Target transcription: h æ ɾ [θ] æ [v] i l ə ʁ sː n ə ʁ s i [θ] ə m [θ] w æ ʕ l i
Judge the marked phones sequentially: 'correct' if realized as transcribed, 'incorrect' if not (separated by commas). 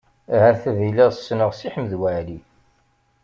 correct, correct, incorrect, incorrect